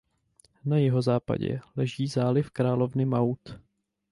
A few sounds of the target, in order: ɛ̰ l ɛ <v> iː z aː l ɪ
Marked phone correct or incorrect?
incorrect